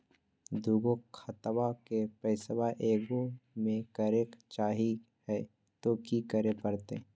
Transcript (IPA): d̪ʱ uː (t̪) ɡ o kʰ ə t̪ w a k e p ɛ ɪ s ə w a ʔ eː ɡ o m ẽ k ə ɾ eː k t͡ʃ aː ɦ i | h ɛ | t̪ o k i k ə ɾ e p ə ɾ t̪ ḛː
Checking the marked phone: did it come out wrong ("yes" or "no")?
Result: yes